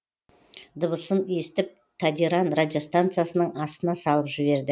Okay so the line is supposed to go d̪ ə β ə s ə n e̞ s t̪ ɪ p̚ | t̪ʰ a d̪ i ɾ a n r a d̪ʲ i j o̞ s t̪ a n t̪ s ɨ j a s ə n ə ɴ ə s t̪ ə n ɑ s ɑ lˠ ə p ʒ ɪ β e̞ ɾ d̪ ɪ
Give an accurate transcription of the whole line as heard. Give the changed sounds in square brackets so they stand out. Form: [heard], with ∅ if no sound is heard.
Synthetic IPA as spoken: d̪ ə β ə s ə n e̞ s t̪ ɪ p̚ | t̪ʰ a d̪ i ɾ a n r a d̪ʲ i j o̞ s t̪ a n t̪ s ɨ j a s ə n ə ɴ [ɑ] s t̪ ə n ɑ s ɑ lˠ ə p ʒ ɪ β e̞ ɾ d̪ ɪ